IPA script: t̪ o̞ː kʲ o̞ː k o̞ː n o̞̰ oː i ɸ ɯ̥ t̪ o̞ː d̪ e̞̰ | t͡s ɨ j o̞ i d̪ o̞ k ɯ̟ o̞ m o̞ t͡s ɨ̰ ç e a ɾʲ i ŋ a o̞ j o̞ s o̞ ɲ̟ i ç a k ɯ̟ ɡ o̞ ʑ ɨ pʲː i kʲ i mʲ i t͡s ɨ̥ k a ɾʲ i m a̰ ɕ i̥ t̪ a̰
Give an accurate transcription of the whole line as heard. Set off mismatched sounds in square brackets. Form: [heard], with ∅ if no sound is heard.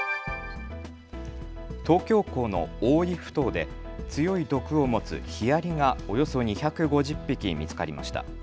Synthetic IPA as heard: t̪ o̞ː kʲ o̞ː k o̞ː n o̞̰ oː i ɸ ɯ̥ t̪ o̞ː d̪ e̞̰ | t͡s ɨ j o̞ i d̪ o̞ k ɯ̟ o̞ m o̞ t͡s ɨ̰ ç [i] a ɾʲ i ŋ a o̞ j o̞ s o̞ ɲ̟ i ç a k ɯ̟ ɡ o̞ ʑ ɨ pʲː i kʲ i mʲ i t͡s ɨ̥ k a ɾʲ i m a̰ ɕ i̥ t̪ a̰